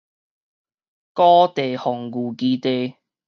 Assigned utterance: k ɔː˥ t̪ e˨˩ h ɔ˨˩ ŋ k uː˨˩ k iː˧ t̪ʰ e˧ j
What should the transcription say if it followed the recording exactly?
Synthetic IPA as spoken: k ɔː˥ t̪ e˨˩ h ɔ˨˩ ŋ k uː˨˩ k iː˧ t̪ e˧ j